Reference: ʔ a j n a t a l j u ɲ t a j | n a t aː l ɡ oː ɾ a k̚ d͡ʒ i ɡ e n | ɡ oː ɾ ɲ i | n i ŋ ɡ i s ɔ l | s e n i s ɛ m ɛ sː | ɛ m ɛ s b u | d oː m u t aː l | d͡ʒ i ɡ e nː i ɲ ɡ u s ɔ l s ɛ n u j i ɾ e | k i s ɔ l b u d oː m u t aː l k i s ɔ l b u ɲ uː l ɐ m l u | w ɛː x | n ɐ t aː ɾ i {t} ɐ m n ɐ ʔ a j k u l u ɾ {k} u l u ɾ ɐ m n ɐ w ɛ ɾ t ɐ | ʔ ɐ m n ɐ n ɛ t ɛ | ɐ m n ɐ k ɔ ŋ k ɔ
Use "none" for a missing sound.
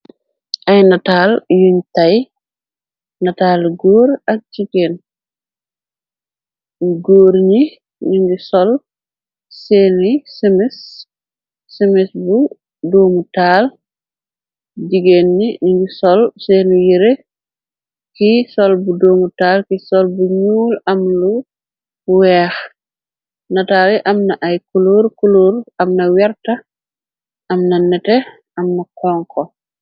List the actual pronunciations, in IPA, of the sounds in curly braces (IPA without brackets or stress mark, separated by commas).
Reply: ʔ, k